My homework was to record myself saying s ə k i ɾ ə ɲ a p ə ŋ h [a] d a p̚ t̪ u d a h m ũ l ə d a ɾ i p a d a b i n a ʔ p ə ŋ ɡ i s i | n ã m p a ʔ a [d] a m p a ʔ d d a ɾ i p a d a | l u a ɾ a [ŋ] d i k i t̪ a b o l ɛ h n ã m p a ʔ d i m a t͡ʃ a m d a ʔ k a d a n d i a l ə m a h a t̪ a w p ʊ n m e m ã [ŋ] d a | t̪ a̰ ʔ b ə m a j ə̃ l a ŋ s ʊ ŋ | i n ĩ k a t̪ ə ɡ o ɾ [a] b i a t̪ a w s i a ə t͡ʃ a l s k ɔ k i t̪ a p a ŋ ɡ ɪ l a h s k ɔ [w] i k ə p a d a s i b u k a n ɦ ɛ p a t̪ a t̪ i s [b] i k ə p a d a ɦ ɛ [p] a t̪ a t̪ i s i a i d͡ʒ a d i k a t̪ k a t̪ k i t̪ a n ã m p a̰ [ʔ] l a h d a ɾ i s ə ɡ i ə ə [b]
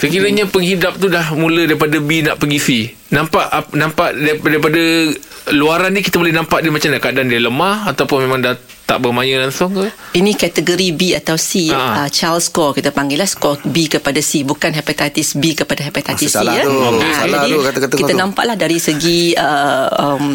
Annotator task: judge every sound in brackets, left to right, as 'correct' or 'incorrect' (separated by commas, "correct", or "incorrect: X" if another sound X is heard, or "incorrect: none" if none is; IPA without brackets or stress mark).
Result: incorrect: i, incorrect: n, incorrect: n, correct, incorrect: i, incorrect: b, correct, correct, correct, incorrect: m